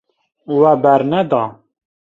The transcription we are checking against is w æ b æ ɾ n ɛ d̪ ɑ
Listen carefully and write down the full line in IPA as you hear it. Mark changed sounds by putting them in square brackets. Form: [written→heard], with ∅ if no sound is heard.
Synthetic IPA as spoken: w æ b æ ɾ n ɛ d̪ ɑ